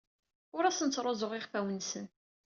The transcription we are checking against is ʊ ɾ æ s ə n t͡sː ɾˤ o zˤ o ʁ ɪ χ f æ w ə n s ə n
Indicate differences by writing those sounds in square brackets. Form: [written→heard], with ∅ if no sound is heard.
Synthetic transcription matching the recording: ʊ ɾ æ s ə n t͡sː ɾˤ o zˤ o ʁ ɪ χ f æ w ə n s ə n